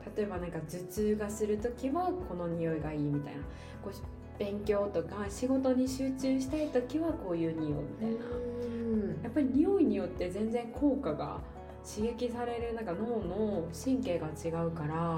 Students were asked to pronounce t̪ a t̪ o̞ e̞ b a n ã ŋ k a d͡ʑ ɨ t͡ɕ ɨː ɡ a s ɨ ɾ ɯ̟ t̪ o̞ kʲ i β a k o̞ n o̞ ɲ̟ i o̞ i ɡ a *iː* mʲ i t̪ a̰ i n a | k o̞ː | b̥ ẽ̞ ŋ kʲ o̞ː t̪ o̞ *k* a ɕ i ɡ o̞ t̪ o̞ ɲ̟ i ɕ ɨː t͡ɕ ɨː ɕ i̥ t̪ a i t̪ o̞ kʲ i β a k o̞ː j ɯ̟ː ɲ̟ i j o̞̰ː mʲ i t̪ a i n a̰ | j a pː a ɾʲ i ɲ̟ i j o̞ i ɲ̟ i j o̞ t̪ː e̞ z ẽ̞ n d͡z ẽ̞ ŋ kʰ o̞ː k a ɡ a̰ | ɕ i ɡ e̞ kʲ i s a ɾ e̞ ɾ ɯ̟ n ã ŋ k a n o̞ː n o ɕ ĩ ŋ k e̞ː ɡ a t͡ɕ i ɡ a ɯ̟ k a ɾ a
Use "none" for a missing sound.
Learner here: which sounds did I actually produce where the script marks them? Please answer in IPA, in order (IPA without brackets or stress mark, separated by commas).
iː, k